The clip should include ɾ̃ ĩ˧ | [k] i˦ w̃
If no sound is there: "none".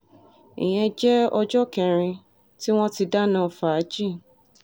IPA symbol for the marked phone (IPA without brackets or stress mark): t